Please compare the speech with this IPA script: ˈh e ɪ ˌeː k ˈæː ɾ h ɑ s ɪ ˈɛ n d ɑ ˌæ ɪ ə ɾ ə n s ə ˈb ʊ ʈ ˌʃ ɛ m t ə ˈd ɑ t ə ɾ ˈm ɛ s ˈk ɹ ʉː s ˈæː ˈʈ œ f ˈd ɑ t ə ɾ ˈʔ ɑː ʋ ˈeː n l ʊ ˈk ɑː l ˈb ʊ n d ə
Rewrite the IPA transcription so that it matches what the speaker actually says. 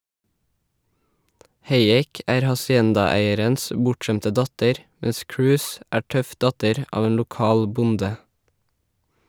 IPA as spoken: ˈh e ɪ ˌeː k ˈæː ɾ h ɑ s ɪ ˈɛ n d ɑ ˌæ ɪ ə ɾ ə n s ə ˈb ʊ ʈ ˌʃ ɛ m t ə ˈd ɑ t ə ɾ ˈm ɛ s ˈk ɹ ʉː s ˈæː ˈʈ œ f ˈd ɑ t ə ɾ ˈʔ ɑː ʋ ˈeː n l ʊ ˈk ɑː l ˈb ʊ n d ə